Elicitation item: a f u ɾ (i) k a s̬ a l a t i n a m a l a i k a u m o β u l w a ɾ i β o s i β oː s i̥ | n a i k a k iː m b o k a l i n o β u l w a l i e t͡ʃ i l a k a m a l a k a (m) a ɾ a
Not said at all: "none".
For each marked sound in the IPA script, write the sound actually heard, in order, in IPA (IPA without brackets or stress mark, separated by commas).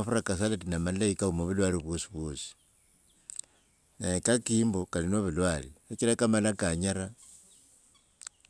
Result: a, ɲ